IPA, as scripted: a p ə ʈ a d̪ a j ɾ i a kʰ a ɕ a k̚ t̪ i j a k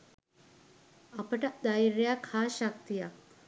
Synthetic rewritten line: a p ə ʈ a d̪ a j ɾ j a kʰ a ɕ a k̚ t̪ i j a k

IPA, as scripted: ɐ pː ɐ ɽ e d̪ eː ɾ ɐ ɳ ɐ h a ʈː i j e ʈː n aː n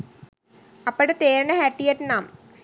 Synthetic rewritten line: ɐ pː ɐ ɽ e t̪ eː ɾ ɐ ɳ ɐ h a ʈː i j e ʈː n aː m

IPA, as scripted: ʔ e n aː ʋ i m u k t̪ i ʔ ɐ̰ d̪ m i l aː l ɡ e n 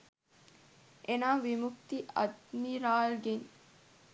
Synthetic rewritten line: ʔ e n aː ʋ i m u k t̪ i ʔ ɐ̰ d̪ m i ɾ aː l ɡ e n

